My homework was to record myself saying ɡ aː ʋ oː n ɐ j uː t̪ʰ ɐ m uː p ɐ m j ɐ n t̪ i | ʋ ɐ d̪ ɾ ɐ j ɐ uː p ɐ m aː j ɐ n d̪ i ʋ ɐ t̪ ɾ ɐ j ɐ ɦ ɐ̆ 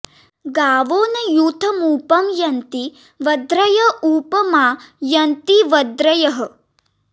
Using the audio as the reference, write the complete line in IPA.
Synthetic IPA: ɡ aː ʋ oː n ɐ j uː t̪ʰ ɐ m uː p ɐ m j ɐ n t̪ i | ʋ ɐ d̪ ɾ ɐ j ɐ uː p ɐ m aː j ɐ n t̪ i ʋ ɐ d̪ ɾ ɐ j ɐ ɦ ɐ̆